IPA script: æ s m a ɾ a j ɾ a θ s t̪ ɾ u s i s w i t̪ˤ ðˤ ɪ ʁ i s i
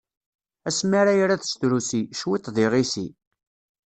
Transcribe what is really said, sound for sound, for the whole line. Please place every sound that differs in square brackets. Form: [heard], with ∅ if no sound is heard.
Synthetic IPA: æ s m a ɾ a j ɾ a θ s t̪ ɾ u s i [ʃ] w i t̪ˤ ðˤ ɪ ʁ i s i